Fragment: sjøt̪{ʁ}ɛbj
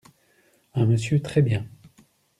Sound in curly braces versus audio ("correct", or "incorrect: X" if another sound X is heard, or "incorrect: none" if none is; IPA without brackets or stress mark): incorrect: χ